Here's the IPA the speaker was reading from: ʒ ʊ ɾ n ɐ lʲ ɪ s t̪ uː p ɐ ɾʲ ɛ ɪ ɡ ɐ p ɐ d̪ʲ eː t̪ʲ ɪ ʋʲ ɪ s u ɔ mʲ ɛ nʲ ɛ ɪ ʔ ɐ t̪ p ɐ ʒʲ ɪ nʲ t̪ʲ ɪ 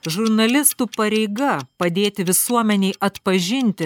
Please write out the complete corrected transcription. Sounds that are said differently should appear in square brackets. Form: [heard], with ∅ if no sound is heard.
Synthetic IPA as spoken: ʒ ʊ ɾ n ɐ lʲ ɪ s t̪ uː p ɐ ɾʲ ɛ ɪ ɡ ɐ p ɐ d̪ʲ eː t̪ʲ ɪ ʋʲ ɪ s u ɔ mʲ ɛ nʲ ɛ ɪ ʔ ɐ t̪ p ɐ ʒʲ ɪ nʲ t̪ʲ ɪ